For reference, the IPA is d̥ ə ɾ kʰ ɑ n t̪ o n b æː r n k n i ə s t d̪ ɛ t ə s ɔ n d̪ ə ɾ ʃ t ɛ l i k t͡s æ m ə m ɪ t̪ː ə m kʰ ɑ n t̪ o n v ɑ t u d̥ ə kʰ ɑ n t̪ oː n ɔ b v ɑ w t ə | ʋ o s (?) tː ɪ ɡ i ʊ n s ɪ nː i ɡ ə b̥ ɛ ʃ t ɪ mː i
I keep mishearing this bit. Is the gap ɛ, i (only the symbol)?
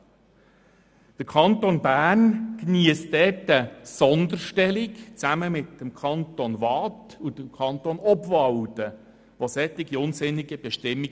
ɛ